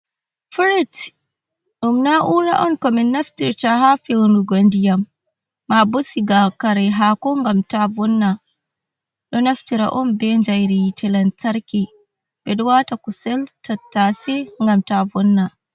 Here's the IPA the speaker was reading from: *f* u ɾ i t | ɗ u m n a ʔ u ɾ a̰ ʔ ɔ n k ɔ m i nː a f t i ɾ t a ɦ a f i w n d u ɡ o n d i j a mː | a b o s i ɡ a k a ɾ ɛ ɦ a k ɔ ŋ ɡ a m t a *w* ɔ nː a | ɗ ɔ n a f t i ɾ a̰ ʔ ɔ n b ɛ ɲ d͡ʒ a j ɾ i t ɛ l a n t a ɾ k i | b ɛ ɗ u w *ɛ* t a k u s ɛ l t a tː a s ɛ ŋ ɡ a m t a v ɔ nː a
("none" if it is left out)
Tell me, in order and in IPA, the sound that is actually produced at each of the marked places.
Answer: f, v, a

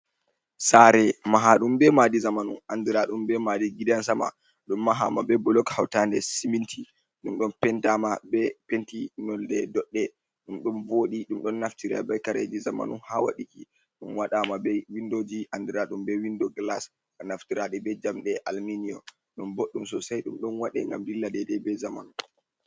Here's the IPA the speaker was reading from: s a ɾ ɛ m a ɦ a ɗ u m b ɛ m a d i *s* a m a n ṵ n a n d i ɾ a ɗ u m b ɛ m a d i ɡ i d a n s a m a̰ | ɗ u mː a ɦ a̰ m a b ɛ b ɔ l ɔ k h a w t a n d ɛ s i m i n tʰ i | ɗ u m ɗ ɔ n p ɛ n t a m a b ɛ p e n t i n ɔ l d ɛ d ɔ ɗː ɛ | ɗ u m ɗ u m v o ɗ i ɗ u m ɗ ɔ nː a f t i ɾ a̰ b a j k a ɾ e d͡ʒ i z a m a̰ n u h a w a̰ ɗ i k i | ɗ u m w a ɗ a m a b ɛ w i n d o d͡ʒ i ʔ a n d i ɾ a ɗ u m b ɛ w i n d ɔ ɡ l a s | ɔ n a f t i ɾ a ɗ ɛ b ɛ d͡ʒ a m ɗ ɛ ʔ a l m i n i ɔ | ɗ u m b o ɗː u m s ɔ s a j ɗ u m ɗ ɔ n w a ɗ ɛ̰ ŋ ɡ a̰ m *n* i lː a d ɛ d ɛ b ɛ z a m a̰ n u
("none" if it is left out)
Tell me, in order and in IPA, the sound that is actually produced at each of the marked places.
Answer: z, d

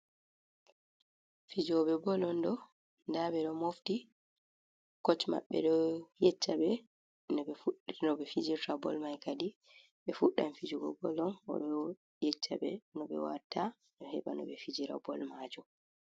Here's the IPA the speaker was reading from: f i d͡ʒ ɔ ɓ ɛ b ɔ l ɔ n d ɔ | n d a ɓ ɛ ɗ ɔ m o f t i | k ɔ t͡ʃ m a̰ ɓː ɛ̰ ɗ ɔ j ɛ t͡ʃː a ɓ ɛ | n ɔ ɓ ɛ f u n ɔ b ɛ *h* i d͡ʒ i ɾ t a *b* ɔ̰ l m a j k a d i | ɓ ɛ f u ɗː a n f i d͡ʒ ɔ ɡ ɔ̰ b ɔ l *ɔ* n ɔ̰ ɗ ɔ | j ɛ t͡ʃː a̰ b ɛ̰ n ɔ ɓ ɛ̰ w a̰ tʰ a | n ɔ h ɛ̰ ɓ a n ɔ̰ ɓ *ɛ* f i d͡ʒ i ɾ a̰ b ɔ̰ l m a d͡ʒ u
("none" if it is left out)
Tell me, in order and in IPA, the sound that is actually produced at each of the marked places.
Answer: f, b, ɔ, ɛ

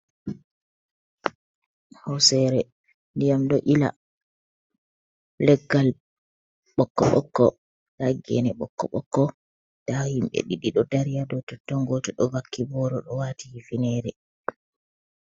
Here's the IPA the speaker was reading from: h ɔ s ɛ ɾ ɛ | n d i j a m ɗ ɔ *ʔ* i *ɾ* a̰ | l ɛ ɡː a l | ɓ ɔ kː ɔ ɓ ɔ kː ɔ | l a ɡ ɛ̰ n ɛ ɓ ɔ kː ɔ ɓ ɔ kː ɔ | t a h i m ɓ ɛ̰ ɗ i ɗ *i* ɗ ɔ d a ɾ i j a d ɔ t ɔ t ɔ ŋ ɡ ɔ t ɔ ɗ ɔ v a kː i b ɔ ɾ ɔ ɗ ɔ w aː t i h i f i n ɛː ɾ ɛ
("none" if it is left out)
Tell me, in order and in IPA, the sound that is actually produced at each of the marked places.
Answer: ʔ, l, i

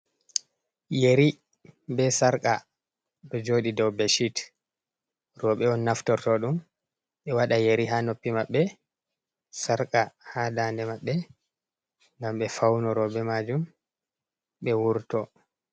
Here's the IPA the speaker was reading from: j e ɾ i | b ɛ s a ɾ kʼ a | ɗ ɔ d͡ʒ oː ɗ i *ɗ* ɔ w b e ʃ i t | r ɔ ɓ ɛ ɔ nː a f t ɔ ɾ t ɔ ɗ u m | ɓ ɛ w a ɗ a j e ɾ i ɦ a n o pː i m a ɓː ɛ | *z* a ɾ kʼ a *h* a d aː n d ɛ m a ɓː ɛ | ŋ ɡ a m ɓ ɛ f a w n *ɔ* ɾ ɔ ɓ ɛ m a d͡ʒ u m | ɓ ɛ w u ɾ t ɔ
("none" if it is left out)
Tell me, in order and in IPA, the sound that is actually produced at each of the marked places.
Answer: d, s, h, ɔ

